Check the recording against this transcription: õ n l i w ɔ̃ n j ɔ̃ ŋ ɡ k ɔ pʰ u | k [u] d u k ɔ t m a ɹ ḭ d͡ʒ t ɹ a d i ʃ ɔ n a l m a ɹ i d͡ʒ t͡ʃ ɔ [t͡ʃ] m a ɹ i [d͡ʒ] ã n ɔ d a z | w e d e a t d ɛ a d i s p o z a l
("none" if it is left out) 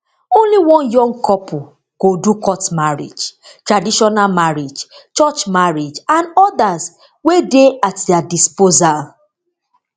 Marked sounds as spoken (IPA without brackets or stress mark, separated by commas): o, t͡ʃ, d͡ʒ